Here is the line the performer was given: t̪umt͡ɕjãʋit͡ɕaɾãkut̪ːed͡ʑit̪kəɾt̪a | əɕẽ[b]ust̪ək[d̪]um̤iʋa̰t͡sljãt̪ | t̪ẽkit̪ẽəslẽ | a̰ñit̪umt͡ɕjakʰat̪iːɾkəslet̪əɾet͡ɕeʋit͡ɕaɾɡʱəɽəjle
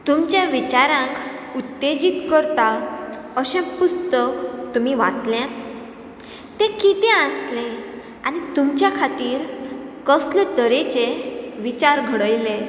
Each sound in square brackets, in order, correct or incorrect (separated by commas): incorrect, incorrect